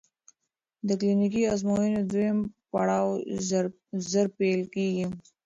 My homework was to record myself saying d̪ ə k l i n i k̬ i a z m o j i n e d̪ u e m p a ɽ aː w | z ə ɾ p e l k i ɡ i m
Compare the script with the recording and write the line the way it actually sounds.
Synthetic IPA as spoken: d̪ ə k l i n i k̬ i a z m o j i n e d̪ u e m p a ɽ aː w | z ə ɾ p e l k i ɡ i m